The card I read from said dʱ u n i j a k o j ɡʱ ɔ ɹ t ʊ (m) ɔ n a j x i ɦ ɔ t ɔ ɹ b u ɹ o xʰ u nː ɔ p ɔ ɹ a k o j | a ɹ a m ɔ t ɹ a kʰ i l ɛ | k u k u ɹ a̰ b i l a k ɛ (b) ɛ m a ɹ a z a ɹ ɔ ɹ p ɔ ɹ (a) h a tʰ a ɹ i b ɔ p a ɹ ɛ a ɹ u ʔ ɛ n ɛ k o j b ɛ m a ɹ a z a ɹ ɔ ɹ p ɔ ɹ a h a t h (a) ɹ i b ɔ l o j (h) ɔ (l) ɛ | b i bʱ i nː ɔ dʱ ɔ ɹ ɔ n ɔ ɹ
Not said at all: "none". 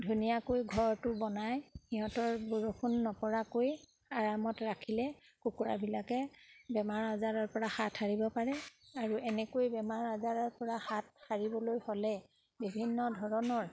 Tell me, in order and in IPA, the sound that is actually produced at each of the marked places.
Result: b, b, a, a, h, l

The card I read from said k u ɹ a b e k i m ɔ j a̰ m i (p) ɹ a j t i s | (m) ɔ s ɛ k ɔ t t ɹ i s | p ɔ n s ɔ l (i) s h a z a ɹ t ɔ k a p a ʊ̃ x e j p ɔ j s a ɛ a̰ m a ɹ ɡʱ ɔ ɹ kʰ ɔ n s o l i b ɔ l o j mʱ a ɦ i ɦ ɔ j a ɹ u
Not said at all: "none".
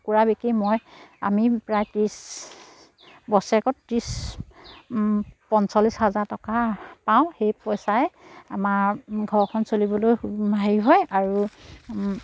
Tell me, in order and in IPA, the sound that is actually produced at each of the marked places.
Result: p, b, i

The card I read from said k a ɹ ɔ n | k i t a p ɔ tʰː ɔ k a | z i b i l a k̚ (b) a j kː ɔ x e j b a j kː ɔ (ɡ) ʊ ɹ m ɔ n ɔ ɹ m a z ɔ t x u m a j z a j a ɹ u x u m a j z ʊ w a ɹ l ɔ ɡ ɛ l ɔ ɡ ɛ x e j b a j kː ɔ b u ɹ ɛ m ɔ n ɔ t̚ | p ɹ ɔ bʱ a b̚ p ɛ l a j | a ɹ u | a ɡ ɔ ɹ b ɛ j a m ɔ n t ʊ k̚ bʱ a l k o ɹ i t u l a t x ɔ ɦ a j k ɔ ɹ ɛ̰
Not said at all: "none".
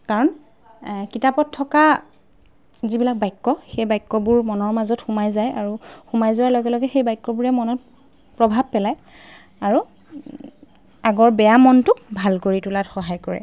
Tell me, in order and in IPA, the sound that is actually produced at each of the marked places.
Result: b, b

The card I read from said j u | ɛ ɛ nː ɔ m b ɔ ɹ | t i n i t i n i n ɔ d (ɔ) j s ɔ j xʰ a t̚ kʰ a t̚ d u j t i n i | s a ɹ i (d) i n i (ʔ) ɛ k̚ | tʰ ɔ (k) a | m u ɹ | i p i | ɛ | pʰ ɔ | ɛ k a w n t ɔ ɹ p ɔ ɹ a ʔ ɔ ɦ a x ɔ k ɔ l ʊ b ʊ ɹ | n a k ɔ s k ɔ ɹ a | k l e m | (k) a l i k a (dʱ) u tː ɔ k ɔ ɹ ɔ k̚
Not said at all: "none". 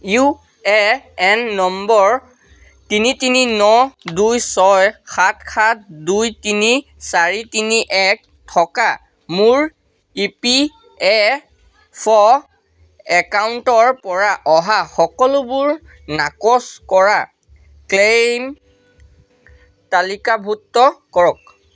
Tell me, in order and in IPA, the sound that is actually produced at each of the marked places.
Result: u, t, ʔ, k, t, bʱ

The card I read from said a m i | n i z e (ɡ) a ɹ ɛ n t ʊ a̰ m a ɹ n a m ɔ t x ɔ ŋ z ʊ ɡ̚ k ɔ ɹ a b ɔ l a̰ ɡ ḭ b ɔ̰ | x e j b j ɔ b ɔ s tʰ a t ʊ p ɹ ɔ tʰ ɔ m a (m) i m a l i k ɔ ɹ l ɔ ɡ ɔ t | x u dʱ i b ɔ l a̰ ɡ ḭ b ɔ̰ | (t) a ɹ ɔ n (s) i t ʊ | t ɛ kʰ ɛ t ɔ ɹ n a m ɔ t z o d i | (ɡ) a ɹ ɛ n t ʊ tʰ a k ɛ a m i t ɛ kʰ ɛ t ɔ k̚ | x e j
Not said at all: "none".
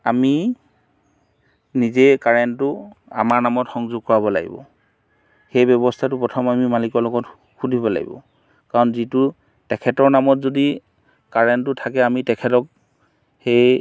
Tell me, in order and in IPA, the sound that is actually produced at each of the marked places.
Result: k, m, k, z, k

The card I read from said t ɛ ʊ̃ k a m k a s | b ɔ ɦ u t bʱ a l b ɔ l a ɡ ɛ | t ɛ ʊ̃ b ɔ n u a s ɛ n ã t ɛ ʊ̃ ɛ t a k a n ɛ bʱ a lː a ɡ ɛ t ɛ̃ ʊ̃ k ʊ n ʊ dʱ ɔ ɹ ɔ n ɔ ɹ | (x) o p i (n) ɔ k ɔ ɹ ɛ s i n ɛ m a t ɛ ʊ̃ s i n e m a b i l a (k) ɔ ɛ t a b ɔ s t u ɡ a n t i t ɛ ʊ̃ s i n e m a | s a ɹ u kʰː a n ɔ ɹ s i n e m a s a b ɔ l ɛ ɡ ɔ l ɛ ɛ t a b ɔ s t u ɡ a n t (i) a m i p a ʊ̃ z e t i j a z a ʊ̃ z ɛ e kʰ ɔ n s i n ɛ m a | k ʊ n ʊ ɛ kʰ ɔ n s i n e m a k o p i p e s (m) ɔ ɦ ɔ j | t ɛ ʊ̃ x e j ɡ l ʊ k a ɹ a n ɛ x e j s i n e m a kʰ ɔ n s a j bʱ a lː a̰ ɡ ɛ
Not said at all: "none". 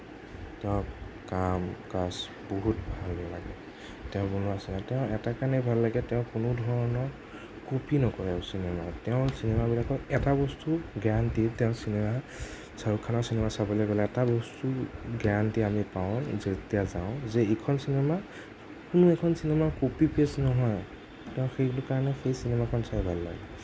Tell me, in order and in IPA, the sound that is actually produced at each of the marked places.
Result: k, n, k, i, n

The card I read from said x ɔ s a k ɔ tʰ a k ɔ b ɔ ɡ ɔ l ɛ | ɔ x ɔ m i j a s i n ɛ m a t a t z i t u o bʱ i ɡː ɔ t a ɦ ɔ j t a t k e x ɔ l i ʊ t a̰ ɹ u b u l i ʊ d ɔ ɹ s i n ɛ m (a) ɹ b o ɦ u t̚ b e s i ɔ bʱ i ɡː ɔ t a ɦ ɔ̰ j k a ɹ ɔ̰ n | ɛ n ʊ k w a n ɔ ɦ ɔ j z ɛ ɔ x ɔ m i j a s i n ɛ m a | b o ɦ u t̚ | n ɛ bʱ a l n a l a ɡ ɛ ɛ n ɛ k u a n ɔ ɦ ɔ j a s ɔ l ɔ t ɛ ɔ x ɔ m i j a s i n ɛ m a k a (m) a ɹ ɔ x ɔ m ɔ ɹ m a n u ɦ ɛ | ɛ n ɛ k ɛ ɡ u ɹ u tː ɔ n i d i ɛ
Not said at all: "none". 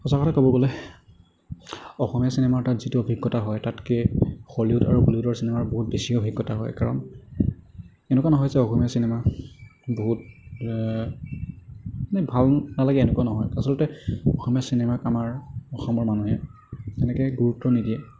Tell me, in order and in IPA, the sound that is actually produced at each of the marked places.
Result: a, m

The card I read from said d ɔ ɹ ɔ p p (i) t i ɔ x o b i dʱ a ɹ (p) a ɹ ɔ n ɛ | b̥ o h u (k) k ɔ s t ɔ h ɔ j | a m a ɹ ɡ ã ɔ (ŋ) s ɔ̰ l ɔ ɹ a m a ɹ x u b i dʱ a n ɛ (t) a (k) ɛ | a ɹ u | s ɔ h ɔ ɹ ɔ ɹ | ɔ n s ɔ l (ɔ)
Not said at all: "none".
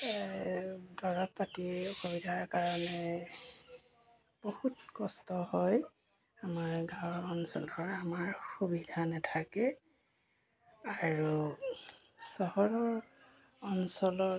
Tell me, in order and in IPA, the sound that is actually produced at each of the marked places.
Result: a, k, t, n, tʰ, k, ɔ

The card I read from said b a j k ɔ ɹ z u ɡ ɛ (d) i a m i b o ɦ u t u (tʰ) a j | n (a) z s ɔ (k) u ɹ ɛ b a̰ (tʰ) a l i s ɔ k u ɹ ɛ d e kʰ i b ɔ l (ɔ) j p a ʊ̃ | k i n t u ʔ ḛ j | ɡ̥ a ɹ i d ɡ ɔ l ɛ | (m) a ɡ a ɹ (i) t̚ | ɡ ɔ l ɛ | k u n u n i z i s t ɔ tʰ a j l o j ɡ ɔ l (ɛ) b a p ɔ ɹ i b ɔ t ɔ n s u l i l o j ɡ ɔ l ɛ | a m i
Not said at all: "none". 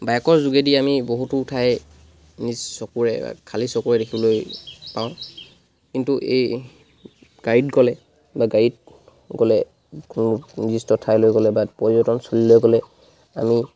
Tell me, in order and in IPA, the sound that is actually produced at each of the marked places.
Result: d, tʰ, i, k, kʰ, o, b, i, ɛ

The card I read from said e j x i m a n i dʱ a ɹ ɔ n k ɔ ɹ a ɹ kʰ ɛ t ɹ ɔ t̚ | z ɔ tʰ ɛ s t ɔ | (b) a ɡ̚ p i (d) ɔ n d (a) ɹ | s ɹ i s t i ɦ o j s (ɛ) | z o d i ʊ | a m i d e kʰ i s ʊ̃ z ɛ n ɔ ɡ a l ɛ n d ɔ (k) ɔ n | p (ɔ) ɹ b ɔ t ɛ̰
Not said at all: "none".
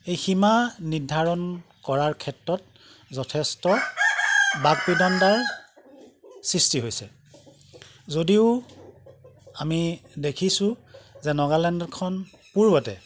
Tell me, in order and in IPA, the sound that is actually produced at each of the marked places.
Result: b, d, a, ɛ, kʰ, u

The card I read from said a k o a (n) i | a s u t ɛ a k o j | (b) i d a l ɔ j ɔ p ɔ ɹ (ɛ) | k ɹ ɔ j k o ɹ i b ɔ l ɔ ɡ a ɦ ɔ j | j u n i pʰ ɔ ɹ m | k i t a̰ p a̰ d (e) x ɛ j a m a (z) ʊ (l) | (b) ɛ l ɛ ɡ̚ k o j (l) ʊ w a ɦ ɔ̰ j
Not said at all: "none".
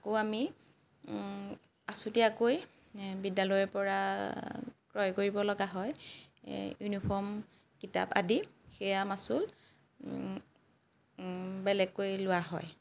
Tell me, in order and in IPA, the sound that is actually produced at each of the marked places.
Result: m, b, a, i, s, l, b, l

